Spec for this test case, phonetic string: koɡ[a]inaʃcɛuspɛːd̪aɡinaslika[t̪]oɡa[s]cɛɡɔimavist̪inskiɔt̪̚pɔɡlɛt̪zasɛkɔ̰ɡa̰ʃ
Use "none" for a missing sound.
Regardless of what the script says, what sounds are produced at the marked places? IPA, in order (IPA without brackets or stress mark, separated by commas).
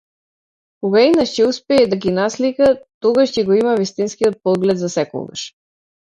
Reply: a, t̪, ʃ